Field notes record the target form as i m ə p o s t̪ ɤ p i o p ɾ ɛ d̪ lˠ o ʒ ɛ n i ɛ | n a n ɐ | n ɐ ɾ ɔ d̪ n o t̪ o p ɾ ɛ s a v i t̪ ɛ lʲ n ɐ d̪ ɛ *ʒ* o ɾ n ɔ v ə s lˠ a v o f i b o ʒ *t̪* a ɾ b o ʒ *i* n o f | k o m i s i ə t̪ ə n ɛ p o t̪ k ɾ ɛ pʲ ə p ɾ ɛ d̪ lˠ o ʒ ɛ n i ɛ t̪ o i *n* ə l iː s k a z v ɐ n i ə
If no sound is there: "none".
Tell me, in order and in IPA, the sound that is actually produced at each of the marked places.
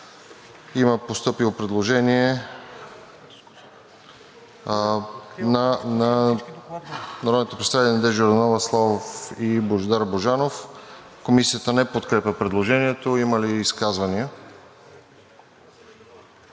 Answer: ʒ, d̪, a, m

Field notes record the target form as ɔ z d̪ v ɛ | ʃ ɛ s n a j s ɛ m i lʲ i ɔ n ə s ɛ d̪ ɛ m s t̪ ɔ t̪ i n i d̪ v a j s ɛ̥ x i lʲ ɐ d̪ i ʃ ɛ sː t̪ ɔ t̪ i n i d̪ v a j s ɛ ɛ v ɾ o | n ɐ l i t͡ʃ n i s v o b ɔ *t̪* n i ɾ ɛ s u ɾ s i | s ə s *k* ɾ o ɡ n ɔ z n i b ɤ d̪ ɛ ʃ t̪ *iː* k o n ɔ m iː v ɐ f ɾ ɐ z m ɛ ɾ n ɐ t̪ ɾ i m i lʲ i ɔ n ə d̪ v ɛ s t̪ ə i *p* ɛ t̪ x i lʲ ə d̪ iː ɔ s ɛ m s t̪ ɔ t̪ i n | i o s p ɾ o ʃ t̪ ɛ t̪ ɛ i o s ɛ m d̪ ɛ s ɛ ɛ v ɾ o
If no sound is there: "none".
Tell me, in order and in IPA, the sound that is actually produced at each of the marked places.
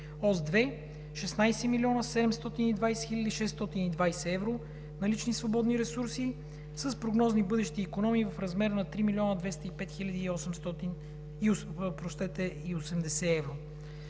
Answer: d̪, p, iː, p

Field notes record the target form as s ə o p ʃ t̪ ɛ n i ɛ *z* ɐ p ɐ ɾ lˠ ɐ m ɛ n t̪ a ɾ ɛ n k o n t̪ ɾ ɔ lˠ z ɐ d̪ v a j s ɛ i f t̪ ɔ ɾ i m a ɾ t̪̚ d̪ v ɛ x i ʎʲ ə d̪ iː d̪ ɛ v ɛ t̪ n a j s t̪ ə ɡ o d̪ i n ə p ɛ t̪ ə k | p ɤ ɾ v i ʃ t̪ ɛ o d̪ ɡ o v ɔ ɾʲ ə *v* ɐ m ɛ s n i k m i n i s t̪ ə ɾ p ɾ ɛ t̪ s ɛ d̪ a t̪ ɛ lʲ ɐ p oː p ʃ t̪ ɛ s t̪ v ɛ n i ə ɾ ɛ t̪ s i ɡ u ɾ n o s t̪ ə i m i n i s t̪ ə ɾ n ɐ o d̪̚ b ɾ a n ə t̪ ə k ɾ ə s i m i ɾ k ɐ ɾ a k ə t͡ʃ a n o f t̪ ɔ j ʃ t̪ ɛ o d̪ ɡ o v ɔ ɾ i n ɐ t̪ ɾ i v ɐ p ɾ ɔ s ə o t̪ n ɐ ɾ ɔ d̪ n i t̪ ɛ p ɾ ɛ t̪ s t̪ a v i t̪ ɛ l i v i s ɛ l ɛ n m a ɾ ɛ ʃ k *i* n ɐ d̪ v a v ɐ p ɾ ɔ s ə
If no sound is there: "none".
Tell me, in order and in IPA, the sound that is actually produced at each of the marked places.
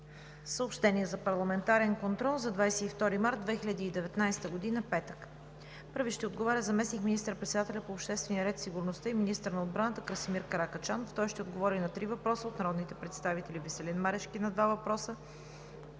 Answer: z, z, i

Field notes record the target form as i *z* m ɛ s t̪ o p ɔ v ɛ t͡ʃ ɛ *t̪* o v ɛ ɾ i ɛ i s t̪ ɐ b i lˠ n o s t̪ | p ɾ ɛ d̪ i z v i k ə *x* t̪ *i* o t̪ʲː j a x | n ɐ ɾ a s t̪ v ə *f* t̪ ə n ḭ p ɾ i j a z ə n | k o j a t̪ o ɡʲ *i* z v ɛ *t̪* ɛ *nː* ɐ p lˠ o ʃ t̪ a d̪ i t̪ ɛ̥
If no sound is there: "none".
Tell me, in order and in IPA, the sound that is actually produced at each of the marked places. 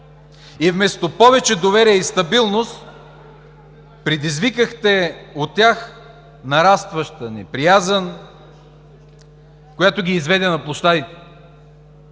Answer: v, d̪, x, ɛ, ʃ, iː, d̪, n

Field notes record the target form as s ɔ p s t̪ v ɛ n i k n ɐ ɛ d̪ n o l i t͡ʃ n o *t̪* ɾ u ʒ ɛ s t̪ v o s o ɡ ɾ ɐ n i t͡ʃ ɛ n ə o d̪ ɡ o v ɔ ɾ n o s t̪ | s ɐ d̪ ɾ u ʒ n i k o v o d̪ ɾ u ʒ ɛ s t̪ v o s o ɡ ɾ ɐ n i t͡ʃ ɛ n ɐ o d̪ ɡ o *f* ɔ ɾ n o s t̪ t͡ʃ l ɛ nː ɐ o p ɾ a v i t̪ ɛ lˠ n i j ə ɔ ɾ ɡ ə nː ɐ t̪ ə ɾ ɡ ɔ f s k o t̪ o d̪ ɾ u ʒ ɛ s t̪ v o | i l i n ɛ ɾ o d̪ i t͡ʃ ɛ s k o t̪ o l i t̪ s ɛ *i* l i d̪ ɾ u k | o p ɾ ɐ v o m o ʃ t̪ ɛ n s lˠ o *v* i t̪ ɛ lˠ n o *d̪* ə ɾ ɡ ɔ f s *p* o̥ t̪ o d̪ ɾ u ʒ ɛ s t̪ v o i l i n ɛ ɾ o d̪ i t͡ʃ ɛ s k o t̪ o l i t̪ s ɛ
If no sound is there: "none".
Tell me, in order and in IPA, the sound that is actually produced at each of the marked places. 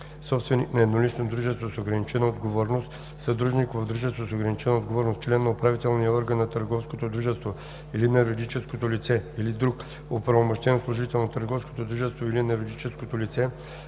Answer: d̪, v, i, ʒ, t̪, k

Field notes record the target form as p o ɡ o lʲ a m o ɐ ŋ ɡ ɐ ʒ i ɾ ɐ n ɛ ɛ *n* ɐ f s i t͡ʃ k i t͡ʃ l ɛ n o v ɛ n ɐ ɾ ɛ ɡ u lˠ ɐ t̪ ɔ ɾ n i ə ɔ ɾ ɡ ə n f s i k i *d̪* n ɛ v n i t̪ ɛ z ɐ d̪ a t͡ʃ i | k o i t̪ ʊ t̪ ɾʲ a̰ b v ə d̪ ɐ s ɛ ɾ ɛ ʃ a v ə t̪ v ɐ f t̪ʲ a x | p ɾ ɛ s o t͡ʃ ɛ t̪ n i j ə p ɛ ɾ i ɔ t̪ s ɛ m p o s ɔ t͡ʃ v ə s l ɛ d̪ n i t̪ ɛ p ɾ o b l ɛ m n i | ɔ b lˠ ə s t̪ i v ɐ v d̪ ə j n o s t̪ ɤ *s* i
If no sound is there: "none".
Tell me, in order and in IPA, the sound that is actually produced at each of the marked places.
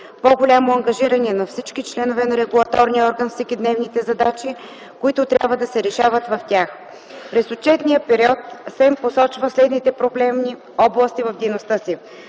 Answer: n, d̪, s

